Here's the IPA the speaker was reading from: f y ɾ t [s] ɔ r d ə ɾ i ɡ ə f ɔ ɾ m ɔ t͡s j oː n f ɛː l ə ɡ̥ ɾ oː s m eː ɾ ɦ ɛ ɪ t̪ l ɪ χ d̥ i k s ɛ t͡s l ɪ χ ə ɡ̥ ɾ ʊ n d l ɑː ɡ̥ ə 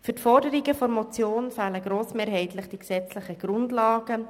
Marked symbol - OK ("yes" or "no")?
no